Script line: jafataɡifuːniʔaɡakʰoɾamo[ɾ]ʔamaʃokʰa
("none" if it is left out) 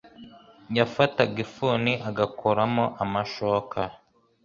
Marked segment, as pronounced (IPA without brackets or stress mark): none